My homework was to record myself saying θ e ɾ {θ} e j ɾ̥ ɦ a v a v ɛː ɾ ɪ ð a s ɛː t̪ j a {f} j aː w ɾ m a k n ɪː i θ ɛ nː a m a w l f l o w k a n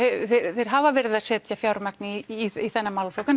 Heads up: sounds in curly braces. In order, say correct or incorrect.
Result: correct, correct

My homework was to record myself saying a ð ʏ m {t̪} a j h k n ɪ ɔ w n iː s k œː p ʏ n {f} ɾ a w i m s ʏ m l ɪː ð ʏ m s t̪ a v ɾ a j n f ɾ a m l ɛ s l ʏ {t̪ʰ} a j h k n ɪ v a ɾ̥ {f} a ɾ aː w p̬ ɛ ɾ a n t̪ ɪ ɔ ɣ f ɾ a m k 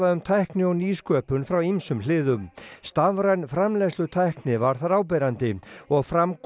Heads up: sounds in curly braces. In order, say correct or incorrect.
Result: incorrect, correct, correct, incorrect

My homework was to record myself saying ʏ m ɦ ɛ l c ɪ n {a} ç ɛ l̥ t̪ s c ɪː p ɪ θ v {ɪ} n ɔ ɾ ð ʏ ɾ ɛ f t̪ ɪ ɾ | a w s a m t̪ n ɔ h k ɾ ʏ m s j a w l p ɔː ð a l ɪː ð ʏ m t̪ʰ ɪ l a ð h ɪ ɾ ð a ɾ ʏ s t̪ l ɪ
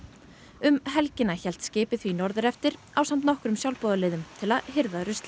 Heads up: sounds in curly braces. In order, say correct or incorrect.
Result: correct, incorrect

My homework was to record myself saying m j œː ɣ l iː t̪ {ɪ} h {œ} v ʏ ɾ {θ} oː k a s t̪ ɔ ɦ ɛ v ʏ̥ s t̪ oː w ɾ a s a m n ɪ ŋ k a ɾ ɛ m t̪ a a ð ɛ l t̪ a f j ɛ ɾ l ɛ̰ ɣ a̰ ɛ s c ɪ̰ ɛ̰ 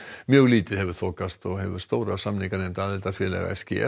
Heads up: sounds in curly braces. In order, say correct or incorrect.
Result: correct, incorrect, correct

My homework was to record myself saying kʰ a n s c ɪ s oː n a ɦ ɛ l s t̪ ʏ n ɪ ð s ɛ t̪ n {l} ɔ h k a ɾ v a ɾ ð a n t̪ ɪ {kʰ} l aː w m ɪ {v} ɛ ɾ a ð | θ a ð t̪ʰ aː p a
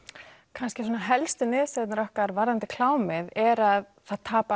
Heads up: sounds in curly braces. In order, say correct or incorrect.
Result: incorrect, correct, incorrect

